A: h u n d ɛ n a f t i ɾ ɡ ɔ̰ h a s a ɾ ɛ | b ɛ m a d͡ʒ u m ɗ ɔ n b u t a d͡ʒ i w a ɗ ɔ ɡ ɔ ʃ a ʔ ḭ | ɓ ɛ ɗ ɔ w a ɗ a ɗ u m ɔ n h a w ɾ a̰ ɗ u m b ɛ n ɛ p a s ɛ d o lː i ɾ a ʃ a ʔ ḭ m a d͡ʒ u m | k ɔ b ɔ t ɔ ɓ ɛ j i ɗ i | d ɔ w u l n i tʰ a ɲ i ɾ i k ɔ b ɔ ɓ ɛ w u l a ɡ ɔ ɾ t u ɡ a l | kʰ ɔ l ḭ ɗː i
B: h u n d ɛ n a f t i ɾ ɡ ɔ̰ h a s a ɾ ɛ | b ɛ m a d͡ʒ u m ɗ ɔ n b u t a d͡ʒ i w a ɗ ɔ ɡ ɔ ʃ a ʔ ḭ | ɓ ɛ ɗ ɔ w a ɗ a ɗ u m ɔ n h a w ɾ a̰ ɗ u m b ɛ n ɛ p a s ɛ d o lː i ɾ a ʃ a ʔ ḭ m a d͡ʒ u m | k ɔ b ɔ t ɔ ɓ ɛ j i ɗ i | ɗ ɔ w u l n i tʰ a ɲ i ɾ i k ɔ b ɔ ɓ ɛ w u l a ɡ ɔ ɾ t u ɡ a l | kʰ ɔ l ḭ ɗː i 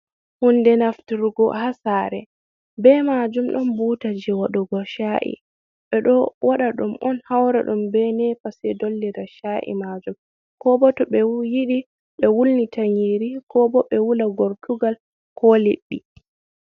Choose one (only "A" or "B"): B